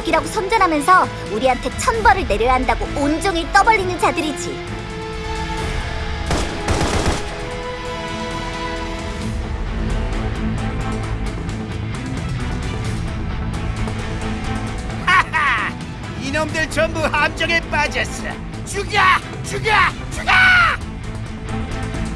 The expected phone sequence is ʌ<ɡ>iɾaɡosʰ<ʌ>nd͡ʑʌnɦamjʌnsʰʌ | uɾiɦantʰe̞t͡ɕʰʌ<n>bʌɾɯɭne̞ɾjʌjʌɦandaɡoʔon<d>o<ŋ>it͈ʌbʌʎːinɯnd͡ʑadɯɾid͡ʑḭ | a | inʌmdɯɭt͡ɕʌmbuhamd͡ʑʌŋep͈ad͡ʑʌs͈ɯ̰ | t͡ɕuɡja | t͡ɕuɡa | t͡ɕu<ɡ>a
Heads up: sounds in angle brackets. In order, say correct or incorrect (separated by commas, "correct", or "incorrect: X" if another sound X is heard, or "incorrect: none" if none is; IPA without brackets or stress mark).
correct, correct, correct, incorrect: d͡ʑ, correct, correct